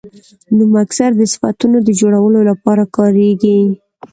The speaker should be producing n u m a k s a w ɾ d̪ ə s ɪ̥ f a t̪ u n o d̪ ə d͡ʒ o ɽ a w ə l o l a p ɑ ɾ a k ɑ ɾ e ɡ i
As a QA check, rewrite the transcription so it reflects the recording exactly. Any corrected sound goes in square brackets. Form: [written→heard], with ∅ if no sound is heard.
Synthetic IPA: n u m a k s a [w→∅] ɾ d̪ ə s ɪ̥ f a t̪ u n o d̪ ə d͡ʒ o ɽ a w ə l o l a p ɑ ɾ a k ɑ ɾ e ɡ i